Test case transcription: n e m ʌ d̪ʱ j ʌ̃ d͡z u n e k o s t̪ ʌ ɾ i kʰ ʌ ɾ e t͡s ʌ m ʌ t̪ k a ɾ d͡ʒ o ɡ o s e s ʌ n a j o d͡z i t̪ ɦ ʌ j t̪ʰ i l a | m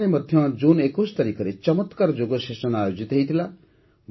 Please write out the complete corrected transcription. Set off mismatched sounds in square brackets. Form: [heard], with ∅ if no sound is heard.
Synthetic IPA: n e m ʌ d̪ʱ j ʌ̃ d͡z u n e k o s t̪ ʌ ɾ i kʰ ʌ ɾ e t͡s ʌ m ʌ t̪ k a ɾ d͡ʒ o ɡ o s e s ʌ n a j o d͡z i t̪ ɦ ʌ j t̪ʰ i l a | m